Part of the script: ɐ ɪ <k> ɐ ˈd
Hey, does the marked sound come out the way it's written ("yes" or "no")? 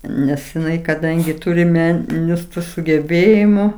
yes